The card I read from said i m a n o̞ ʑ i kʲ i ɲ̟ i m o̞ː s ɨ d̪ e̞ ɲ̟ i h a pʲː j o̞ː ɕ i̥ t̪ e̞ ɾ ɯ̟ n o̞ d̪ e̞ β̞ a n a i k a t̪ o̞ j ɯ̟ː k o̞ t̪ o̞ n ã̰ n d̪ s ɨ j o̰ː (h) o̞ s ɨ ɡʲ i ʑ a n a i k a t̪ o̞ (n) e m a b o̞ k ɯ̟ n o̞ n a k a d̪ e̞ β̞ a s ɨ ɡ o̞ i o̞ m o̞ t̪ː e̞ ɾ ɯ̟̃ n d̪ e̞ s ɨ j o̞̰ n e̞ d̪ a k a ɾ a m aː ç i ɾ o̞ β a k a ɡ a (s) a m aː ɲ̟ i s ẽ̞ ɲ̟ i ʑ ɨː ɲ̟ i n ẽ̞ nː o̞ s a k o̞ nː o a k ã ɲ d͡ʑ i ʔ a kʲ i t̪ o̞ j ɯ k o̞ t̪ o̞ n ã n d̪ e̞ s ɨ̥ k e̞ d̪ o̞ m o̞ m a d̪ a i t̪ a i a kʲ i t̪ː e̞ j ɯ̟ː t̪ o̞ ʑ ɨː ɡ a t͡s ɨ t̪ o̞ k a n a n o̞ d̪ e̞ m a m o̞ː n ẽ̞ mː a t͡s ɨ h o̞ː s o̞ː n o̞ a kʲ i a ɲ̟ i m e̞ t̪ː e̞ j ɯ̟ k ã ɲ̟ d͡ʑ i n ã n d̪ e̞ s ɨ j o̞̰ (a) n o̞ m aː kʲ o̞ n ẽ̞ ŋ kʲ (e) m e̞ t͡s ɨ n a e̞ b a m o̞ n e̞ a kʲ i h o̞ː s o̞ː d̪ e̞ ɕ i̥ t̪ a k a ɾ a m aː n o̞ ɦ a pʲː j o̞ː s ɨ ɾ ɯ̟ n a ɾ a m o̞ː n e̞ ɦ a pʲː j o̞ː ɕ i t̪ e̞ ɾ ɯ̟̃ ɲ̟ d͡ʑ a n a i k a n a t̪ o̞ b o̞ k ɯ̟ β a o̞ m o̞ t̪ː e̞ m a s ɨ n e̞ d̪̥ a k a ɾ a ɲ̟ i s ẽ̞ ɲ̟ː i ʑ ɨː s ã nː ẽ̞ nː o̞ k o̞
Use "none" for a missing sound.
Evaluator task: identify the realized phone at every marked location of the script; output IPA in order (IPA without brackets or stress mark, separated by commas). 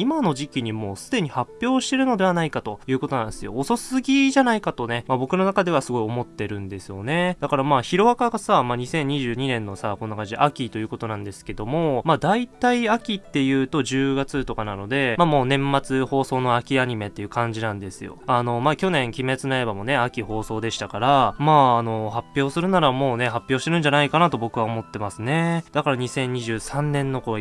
s, n, s, a, i